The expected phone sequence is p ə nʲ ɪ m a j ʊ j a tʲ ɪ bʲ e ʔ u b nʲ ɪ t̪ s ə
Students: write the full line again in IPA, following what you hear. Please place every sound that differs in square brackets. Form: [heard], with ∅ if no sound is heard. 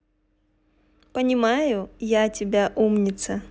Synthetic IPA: p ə nʲ ɪ m a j ʊ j a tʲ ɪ bʲ [a] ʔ u [m] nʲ ɪ t̪ s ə